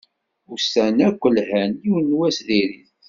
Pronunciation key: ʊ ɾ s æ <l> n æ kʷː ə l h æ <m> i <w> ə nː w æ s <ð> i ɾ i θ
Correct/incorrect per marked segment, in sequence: incorrect, incorrect, correct, correct

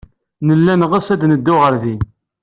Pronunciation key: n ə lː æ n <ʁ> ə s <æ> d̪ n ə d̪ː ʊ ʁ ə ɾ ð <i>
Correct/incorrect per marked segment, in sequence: correct, correct, correct

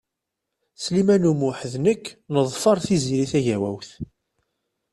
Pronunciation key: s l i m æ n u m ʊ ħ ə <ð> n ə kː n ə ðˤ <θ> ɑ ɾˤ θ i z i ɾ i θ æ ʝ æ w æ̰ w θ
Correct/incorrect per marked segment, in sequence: correct, incorrect

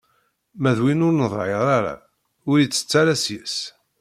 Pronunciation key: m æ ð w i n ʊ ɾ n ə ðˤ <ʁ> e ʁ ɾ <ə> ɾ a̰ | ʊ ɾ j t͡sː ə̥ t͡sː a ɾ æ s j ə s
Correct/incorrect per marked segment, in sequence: incorrect, incorrect

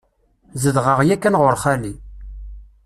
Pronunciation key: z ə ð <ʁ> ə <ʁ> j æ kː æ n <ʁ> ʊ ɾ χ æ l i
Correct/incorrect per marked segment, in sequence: correct, correct, correct

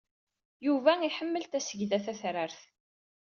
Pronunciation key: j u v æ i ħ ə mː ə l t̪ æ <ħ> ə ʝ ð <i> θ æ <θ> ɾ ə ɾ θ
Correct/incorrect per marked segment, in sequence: incorrect, incorrect, correct

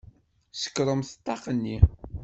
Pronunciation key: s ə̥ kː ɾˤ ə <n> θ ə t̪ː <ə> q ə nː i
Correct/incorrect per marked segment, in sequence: incorrect, incorrect

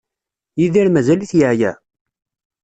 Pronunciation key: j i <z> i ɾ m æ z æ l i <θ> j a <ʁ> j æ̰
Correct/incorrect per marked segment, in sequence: incorrect, correct, incorrect

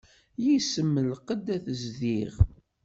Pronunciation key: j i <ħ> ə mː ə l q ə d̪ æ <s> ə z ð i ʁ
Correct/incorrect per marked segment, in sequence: incorrect, incorrect

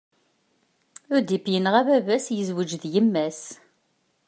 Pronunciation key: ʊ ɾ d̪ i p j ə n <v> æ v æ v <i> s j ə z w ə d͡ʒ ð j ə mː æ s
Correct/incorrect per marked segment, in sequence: incorrect, incorrect

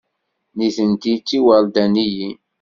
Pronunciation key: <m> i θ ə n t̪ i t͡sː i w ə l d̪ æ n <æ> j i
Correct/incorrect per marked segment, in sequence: incorrect, incorrect

